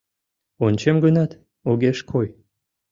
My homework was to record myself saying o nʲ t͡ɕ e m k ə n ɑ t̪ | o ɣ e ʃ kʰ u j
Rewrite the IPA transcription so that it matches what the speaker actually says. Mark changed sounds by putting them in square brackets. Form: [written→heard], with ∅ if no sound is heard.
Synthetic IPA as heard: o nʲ t͡ɕ e m [k→ɡ] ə n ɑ t̪ | o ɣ e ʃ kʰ [u→o] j